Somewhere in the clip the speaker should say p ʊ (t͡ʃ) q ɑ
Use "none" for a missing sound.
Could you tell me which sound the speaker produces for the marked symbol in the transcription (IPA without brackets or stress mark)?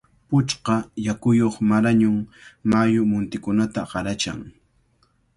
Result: t͡ʃ